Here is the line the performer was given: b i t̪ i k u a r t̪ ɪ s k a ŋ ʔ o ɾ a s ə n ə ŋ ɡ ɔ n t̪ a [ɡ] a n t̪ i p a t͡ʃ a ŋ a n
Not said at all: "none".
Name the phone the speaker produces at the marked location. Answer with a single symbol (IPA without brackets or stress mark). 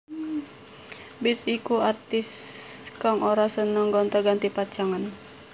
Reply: ɡ